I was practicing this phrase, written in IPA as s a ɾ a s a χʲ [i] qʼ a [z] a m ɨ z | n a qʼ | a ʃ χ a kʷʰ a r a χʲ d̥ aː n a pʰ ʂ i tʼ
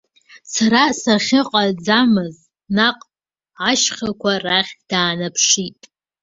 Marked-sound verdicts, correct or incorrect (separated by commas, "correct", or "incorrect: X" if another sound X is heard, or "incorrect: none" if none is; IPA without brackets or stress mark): incorrect: ɪ, incorrect: d͡z